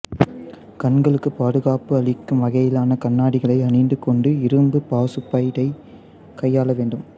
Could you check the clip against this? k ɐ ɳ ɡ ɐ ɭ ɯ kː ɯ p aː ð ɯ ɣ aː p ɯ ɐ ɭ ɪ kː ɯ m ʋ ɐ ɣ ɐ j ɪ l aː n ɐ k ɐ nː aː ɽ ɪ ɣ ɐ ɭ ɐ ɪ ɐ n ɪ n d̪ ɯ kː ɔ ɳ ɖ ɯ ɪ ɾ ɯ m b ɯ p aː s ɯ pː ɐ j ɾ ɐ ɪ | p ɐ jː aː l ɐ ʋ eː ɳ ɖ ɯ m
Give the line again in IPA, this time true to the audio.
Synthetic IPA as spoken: k ɐ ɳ ɡ ɐ ɭ ɯ kː ɯ p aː ð ɯ ɣ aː p ɯ ɐ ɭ ɪ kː ɯ m ʋ ɐ ɣ ɐ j ɪ l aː n ɐ k ɐ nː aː ɽ ɪ ɣ ɐ ɭ ɐ ɪ ɐ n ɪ n d̪ ɯ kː ɔ ɳ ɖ ɯ ɪ ɾ ɯ m b ɯ p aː s ɯ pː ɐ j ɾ ɐ ɪ | k ɐ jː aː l ɐ ʋ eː ɳ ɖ ɯ m